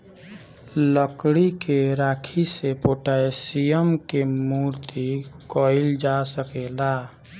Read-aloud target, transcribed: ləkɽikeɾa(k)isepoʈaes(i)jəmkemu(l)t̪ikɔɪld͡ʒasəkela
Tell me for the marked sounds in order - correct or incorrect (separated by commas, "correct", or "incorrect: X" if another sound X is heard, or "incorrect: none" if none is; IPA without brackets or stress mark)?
incorrect: kʰ, correct, incorrect: ɾ